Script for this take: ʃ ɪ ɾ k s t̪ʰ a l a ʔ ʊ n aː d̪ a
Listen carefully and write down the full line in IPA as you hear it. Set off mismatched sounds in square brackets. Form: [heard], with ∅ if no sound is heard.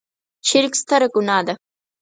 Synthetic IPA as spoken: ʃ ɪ ɾ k s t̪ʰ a [ɾ] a [k] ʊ n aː d̪ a